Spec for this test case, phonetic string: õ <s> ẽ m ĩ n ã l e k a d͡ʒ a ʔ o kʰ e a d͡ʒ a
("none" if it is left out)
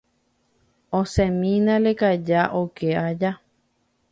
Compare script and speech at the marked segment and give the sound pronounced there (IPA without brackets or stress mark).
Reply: s